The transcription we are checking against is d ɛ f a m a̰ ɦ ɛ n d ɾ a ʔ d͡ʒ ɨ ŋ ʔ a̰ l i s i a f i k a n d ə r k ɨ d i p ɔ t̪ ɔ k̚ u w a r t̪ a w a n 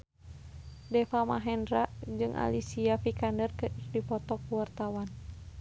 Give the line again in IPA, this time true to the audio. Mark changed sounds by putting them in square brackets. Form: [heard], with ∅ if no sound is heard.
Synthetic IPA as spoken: d ɛ f a m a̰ ɦ ɛ n d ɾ a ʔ d͡ʒ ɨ ŋ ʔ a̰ l i s i a f i k a n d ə r k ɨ d i p ɔ t̪ ɔ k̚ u w a r t̪ a w a n